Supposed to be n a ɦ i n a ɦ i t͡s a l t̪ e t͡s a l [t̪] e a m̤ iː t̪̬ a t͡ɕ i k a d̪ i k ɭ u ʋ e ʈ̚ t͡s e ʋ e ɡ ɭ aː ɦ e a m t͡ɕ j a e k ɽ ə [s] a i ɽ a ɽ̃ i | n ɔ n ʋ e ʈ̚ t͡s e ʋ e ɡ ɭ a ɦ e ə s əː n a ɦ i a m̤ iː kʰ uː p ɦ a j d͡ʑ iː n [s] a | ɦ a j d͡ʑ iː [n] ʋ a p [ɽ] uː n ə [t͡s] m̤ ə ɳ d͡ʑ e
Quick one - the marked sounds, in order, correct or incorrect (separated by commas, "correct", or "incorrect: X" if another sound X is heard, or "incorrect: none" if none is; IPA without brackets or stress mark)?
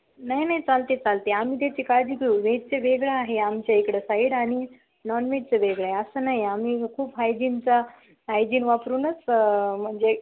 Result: correct, correct, incorrect: t͡s, correct, incorrect: ɾ, correct